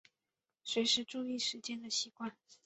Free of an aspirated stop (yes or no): yes